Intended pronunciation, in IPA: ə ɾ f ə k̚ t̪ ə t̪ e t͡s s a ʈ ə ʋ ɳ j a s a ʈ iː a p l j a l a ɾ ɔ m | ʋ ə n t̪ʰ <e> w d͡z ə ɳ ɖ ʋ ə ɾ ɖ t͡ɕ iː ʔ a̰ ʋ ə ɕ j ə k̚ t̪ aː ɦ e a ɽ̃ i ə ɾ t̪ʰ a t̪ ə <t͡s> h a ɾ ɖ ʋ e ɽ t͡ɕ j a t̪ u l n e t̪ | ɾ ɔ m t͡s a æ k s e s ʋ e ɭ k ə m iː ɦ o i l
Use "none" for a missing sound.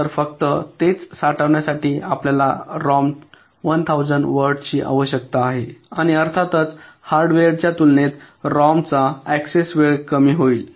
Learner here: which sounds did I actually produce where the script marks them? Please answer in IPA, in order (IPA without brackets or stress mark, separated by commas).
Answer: a, t͡s